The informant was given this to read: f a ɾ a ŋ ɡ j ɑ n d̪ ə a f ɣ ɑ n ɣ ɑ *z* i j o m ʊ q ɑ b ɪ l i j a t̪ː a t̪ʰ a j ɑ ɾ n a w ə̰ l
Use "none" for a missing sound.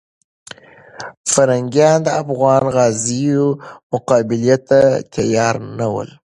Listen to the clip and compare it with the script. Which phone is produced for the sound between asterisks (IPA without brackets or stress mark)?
z